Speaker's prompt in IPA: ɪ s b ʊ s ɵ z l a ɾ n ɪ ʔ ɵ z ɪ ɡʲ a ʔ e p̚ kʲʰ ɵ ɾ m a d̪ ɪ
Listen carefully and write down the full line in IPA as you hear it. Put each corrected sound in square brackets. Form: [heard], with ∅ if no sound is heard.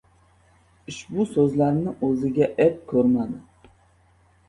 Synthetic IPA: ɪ [ʃ] b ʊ s ɵ z l a ɾ n ɪ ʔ ɵ z ɪ ɡʲ a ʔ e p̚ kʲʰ ɵ ɾ m a d̪ ɪ